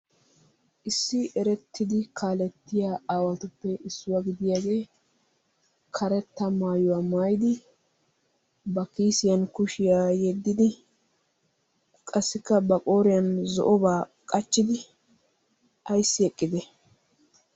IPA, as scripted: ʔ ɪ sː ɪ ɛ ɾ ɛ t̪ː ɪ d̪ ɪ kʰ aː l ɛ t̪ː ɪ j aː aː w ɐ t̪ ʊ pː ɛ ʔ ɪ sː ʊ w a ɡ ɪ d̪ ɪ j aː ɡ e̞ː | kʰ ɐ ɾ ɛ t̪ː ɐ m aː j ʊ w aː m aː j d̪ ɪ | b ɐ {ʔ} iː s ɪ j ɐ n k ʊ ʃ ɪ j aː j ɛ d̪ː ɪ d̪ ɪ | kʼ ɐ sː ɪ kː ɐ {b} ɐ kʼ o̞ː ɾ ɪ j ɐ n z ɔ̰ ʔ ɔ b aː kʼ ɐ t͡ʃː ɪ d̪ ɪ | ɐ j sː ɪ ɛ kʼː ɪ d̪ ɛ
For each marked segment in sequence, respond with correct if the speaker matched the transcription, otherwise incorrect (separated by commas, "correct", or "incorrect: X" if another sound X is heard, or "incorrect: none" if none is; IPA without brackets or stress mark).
incorrect: k, correct